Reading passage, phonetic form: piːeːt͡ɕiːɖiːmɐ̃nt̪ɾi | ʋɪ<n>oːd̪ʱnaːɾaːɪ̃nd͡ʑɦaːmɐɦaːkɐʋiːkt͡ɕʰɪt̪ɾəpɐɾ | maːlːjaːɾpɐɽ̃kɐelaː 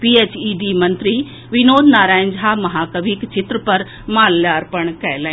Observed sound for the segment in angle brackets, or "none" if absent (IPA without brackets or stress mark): n